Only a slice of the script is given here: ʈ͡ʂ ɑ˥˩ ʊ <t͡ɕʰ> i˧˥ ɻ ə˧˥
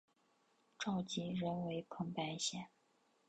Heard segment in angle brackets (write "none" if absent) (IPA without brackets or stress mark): t͡ɕ